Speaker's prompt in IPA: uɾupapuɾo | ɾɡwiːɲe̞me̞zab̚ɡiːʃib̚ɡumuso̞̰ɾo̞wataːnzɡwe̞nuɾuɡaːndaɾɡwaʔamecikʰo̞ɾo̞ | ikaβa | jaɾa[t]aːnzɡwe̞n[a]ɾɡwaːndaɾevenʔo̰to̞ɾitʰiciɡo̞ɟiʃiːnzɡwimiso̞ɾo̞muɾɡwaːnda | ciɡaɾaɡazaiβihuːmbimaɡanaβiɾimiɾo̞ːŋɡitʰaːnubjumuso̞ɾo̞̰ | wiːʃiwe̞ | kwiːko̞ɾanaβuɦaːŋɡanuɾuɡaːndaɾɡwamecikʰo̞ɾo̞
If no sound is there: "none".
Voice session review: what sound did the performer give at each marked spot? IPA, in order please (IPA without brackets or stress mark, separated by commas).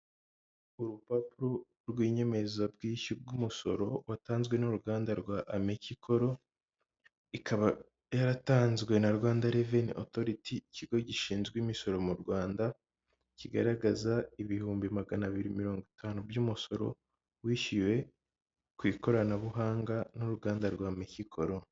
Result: t, a